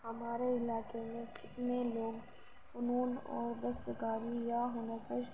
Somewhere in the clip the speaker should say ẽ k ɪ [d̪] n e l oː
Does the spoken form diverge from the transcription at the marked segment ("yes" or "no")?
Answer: yes